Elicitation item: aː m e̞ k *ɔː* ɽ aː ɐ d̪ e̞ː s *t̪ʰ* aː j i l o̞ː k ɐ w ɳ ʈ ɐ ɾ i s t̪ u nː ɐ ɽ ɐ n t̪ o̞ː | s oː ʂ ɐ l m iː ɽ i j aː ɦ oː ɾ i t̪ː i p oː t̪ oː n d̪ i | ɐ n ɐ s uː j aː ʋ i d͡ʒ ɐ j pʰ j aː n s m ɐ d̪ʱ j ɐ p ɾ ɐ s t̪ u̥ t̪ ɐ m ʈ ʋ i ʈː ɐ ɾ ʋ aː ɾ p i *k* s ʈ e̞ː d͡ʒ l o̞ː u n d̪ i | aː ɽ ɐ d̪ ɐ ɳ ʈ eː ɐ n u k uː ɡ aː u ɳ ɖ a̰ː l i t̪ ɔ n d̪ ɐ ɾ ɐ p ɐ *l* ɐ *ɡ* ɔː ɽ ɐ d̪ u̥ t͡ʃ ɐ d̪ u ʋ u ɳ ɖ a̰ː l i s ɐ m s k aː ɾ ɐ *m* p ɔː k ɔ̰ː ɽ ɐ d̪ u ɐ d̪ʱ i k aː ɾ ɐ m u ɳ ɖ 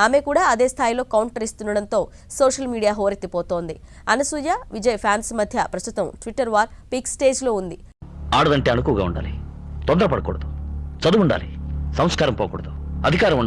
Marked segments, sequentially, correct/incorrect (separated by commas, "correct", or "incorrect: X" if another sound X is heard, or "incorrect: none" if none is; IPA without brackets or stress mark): incorrect: uː, correct, correct, incorrect: ɽ, incorrect: k, correct